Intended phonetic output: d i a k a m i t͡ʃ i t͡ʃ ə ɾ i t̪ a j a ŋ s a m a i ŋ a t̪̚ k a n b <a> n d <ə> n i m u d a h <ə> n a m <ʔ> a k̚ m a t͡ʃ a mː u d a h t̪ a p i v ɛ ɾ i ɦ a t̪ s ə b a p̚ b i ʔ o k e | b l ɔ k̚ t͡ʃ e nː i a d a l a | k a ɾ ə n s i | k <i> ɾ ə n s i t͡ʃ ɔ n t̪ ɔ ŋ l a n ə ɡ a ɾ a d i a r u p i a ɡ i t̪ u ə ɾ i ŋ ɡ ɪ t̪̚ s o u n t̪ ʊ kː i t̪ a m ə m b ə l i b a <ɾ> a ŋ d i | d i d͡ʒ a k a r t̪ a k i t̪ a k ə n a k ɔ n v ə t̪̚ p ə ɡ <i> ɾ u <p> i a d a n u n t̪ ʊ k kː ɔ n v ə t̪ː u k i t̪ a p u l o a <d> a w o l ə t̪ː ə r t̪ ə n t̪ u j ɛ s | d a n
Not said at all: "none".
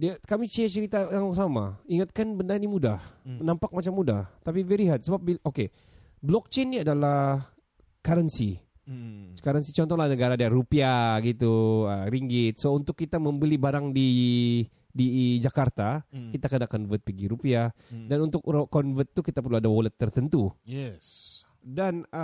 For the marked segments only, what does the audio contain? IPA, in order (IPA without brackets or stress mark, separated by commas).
ə, a, ə, p, a, ɾ, i, p, d